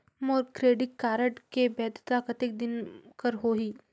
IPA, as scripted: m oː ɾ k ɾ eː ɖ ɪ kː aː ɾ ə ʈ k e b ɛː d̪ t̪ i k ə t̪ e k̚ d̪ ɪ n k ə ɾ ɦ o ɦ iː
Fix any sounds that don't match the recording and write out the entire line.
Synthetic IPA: m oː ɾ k ɾ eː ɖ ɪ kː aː ɾ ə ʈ k e b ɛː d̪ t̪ a k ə t̪ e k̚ d̪ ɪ n k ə ɾ ɦ o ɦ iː